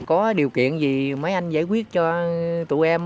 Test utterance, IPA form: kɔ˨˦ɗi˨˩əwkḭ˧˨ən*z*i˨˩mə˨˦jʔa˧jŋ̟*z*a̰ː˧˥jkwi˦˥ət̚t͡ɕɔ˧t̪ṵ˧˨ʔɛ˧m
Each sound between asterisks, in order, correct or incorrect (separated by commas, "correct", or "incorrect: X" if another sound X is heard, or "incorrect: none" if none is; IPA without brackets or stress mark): correct, correct